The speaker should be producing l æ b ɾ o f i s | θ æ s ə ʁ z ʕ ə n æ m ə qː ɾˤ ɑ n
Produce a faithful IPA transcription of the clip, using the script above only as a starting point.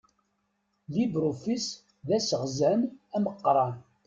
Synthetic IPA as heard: l i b ɾ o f i s | ð æ s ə ʁ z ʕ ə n æ m ə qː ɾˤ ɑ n